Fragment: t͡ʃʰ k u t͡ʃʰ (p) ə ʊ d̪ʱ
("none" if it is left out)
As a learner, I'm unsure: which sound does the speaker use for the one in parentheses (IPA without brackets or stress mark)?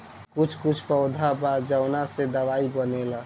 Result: p